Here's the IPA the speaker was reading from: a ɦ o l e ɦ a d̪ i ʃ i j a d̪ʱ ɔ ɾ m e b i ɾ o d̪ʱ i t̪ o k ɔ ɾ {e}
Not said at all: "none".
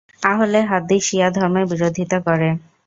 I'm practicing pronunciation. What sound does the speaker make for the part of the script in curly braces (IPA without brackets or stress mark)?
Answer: e